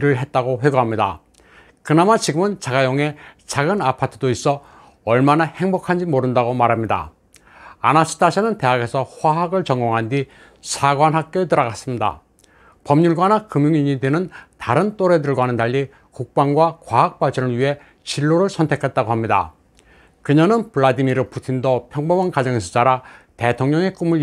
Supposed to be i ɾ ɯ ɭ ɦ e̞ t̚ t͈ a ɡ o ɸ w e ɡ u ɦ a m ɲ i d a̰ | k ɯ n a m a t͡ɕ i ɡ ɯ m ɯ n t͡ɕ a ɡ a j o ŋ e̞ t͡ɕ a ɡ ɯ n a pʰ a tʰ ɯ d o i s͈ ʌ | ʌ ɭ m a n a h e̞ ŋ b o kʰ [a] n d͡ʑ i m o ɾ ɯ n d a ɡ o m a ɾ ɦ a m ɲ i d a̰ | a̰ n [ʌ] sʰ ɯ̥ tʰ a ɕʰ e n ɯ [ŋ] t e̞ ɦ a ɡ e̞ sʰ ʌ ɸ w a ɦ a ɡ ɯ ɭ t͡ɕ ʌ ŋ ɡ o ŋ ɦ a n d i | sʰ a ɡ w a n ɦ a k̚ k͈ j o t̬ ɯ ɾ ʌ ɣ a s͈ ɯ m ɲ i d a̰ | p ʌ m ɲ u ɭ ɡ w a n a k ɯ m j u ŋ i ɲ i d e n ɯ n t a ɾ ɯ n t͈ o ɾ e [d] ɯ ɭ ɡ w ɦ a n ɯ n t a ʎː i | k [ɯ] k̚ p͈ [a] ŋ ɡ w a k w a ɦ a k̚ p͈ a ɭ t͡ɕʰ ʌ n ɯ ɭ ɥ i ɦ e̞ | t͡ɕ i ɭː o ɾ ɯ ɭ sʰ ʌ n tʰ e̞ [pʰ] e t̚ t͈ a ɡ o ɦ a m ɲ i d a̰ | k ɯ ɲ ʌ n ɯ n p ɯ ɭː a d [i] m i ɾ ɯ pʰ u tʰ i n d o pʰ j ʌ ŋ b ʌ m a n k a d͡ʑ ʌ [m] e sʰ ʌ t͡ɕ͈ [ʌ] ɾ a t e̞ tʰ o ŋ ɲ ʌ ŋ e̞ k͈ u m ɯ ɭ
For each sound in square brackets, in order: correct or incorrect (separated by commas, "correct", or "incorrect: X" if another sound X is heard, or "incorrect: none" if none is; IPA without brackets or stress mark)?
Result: correct, incorrect: a, incorrect: n, correct, incorrect: u, correct, incorrect: kʰ, correct, incorrect: ŋ, incorrect: a